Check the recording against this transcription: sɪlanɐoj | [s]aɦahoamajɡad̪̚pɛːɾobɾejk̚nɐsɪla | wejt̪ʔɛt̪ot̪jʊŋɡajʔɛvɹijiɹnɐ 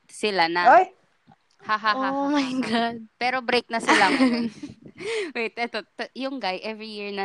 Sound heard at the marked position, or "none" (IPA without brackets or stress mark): h